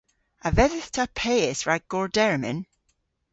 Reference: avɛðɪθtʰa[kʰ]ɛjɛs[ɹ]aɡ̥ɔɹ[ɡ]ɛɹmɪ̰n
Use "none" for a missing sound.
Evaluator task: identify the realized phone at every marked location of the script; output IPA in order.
pʰ, ɹ, d

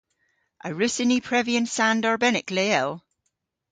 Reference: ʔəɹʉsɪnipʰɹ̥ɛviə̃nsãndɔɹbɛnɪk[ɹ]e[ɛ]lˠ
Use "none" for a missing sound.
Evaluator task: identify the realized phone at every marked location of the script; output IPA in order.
l, ɛ

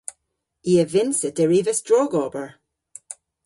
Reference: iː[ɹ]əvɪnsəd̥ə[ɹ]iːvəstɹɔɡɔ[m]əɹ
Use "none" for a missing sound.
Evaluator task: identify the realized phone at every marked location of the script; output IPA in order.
none, ɹ, b

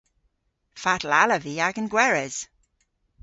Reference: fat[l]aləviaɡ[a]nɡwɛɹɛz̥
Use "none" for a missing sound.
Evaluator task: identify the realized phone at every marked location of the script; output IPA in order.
l, ə

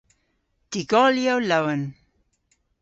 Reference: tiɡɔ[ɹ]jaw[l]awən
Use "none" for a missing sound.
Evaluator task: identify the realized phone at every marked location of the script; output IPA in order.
l, l

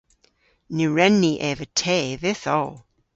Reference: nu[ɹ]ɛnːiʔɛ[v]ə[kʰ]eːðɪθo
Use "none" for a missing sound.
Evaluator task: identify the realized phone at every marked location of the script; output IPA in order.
ɹ, v, tʰ

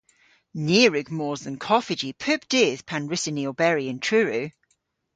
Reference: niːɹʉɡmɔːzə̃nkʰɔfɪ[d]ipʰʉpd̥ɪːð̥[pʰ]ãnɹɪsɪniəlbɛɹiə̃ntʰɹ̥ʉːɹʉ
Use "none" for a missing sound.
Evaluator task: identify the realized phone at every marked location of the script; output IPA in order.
d͡ʒ, pʰ

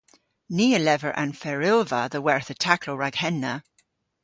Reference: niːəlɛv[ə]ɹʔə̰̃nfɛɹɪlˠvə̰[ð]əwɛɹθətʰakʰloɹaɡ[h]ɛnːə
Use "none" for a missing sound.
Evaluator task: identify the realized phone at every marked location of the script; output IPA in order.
ə, ð, h

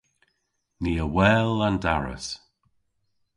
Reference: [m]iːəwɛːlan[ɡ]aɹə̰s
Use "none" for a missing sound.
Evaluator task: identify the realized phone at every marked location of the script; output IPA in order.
n, d

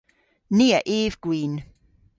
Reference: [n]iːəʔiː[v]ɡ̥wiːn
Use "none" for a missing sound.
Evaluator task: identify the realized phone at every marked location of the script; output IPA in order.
n, v

